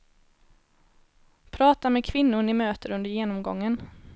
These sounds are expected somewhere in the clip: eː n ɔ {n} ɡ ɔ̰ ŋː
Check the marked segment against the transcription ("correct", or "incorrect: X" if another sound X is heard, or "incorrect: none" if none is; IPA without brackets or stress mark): incorrect: m